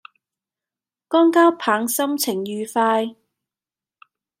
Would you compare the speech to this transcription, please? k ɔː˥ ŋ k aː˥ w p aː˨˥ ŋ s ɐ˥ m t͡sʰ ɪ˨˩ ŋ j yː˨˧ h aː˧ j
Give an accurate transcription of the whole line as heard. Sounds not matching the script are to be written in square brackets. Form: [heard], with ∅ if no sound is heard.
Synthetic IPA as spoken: k ɔː˥ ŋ k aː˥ w [pʰ] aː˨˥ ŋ s ɐ˥ m t͡sʰ ɪ˨˩ ŋ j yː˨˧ [f] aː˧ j